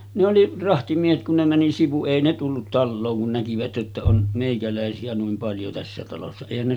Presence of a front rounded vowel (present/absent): absent